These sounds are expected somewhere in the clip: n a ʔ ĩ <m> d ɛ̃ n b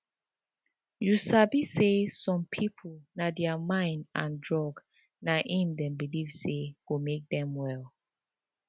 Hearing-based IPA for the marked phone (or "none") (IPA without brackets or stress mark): m